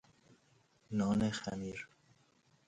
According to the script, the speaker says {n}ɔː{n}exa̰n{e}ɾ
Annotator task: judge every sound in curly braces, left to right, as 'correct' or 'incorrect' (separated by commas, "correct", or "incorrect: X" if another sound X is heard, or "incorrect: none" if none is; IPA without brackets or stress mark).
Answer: correct, correct, incorrect: i